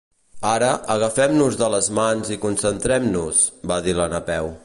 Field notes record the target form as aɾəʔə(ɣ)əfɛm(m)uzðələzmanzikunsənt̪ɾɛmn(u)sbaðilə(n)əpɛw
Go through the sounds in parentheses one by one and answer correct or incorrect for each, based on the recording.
correct, incorrect, correct, correct

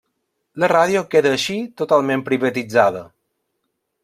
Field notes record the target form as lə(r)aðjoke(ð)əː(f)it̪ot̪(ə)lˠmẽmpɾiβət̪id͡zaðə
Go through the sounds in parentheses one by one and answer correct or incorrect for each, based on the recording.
correct, correct, incorrect, incorrect

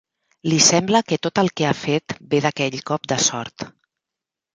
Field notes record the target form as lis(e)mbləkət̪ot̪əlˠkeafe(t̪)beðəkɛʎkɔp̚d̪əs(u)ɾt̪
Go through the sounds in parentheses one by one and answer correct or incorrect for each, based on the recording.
incorrect, correct, incorrect

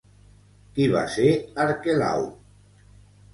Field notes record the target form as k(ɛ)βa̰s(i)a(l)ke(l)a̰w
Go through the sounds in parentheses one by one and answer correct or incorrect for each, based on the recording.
incorrect, incorrect, incorrect, correct

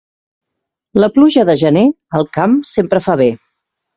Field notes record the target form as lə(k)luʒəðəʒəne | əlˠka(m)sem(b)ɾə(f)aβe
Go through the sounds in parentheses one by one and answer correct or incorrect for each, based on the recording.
incorrect, correct, incorrect, correct

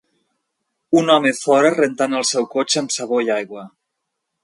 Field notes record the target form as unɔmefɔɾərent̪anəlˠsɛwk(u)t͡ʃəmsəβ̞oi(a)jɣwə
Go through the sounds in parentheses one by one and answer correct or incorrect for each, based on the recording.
incorrect, correct

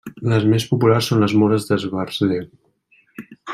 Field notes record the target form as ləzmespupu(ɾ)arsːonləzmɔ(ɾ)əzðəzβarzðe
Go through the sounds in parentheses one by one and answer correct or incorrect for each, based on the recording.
incorrect, correct

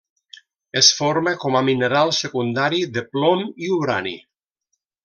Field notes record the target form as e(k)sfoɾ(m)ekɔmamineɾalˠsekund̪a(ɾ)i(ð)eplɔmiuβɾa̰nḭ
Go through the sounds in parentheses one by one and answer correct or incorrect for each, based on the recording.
incorrect, correct, correct, correct

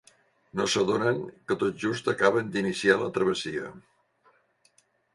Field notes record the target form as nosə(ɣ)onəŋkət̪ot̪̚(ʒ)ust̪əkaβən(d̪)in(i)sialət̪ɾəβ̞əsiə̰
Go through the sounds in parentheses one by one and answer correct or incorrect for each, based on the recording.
incorrect, correct, correct, correct

